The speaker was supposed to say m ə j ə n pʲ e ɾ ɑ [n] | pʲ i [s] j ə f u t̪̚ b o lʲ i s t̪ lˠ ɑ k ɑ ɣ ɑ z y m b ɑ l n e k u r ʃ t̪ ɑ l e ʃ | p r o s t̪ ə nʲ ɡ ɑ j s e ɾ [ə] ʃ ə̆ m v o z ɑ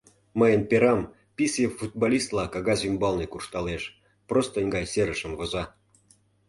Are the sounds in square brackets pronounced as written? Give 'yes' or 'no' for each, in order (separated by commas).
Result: no, yes, yes